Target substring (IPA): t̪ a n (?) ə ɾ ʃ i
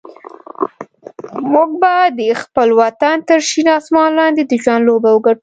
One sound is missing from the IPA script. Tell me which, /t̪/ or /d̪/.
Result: t̪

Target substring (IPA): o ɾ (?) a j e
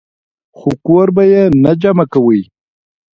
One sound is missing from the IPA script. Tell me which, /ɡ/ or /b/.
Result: b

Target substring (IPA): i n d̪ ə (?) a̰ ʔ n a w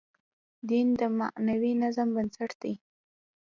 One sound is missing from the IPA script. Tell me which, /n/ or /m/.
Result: m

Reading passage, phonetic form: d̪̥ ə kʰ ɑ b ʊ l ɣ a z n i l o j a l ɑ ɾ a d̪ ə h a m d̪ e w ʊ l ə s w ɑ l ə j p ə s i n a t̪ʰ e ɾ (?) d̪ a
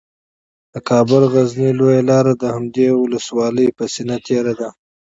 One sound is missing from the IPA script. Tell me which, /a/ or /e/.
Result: a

